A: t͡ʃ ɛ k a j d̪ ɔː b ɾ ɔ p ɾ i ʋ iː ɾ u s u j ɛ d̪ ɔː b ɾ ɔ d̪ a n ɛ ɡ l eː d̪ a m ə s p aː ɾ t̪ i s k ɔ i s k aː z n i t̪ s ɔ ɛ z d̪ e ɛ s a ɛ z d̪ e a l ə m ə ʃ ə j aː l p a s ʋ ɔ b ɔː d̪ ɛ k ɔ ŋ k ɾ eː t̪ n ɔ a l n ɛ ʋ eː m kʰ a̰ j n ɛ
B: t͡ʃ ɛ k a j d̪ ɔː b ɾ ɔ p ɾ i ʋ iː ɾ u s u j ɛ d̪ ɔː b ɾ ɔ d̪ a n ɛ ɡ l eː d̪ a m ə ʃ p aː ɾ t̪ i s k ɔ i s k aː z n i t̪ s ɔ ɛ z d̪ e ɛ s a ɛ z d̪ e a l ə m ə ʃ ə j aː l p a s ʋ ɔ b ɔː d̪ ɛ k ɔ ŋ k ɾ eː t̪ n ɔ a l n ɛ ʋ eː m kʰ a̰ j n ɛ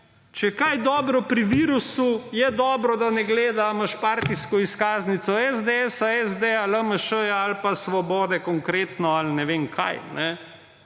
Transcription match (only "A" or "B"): B